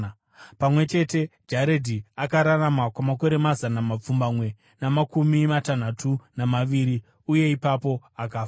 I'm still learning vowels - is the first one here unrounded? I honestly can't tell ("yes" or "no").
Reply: yes